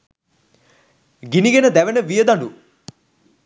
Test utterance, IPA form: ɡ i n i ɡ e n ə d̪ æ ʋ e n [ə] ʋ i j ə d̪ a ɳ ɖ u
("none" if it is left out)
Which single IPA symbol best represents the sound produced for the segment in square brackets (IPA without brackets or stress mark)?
ə